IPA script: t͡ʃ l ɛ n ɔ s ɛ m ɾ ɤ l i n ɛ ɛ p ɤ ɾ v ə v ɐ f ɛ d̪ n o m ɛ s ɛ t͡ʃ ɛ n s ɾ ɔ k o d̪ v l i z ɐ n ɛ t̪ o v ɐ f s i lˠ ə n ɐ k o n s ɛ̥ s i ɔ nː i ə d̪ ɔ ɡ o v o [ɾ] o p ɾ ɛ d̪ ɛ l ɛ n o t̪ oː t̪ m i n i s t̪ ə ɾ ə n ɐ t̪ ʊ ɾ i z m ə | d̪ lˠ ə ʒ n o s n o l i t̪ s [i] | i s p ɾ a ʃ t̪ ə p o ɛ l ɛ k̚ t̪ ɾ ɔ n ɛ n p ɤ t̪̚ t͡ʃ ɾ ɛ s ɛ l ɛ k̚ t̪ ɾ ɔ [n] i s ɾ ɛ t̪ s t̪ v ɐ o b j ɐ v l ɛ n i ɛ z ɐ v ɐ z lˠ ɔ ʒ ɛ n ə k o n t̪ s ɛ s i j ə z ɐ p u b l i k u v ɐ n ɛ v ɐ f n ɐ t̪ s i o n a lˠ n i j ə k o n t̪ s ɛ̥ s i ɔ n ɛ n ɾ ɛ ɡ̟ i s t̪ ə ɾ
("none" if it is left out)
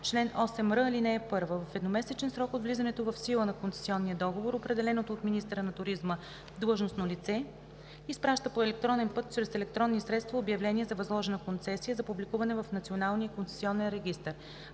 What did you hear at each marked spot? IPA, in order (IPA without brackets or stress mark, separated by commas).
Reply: ɾ, ɛ, nː